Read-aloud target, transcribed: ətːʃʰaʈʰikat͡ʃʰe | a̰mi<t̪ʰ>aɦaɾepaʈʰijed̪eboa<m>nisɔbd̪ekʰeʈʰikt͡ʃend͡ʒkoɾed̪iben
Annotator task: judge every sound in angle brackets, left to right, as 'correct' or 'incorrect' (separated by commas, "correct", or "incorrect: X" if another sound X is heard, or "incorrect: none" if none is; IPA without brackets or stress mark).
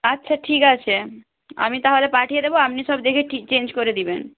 incorrect: t̪, correct